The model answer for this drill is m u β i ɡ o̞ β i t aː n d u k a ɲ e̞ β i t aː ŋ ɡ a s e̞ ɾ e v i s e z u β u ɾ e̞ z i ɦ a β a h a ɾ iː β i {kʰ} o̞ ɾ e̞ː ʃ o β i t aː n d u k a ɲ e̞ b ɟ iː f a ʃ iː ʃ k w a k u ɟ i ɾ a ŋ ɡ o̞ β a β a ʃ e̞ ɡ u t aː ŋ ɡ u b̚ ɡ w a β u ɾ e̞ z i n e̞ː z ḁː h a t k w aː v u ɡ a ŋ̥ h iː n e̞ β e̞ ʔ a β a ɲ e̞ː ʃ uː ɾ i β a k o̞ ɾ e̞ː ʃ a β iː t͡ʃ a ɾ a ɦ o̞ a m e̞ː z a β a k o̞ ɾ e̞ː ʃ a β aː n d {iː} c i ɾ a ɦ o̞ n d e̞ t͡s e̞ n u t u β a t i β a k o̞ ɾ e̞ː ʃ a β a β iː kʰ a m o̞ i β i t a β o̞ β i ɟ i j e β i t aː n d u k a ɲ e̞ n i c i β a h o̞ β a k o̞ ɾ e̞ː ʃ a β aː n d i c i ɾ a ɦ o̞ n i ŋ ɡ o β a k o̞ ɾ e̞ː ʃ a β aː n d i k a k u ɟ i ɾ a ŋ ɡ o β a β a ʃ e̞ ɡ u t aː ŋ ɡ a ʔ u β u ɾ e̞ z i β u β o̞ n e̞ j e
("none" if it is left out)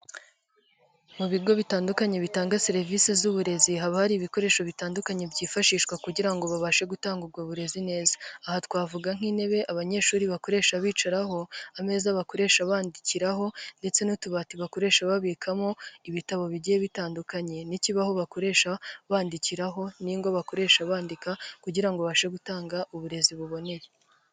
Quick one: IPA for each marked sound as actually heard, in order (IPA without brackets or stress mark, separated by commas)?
k, i